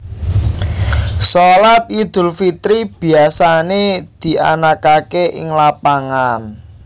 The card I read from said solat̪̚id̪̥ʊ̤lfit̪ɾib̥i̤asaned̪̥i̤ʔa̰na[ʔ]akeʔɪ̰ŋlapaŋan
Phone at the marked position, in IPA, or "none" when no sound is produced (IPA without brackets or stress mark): k